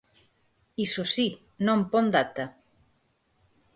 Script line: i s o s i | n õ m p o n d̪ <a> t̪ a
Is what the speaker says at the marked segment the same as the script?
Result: yes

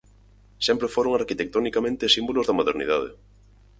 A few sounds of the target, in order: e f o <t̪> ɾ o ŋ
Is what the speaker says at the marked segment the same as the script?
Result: no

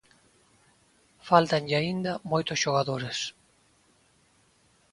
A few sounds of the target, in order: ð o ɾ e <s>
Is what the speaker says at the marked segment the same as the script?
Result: yes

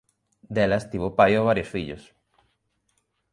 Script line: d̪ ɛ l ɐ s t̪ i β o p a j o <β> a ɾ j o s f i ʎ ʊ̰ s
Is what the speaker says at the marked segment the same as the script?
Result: yes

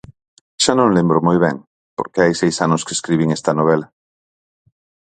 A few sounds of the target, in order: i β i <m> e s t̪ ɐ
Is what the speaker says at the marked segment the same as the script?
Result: no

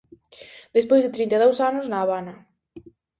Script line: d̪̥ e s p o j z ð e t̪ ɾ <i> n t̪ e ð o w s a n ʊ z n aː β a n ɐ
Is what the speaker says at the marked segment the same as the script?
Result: yes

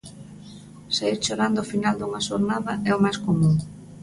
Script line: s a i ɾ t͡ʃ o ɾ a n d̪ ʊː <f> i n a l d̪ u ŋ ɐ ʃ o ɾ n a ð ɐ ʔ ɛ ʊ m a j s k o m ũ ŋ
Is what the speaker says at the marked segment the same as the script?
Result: yes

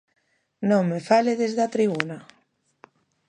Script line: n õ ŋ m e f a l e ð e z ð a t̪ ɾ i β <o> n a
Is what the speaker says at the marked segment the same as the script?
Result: no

